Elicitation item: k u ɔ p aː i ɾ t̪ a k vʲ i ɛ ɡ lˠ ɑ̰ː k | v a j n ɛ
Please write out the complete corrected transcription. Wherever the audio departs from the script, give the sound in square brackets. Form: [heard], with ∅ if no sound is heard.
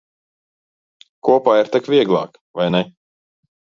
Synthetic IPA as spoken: k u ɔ p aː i ɾ t̪ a k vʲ i ɛ ɡ lˠ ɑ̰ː k | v a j n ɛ